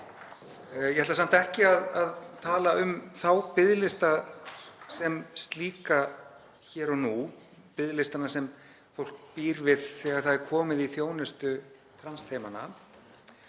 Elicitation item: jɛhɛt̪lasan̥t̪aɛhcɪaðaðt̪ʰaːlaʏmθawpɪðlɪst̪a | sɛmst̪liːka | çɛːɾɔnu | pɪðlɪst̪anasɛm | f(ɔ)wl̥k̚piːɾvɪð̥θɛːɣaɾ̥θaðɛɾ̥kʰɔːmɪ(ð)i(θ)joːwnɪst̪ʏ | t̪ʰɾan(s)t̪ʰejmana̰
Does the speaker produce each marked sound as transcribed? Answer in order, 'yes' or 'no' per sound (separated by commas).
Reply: no, yes, yes, yes